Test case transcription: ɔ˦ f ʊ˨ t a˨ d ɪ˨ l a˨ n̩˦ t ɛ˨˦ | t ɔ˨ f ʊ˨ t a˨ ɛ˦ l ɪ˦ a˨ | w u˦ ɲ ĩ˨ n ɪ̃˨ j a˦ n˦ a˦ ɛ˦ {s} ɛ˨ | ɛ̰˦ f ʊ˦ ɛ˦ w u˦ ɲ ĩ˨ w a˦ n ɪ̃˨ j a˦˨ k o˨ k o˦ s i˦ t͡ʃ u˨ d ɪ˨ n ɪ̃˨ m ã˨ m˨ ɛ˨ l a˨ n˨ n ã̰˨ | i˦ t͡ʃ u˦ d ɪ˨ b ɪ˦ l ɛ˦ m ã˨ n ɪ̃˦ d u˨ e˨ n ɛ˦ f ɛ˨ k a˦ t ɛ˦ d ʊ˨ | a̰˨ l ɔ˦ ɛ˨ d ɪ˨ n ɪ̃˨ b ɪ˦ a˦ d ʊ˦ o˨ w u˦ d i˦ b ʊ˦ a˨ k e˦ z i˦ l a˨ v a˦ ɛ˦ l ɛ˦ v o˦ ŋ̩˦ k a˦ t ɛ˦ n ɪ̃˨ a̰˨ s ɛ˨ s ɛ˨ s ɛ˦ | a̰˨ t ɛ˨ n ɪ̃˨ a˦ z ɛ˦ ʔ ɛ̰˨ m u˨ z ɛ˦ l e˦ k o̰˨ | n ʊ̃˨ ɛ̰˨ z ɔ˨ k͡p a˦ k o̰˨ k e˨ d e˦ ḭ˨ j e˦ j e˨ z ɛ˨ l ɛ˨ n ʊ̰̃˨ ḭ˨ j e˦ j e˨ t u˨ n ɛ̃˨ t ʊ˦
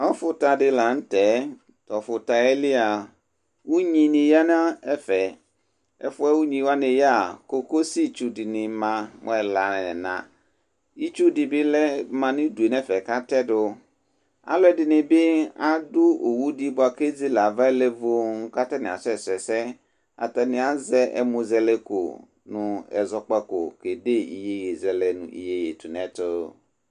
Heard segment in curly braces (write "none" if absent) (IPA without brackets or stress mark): f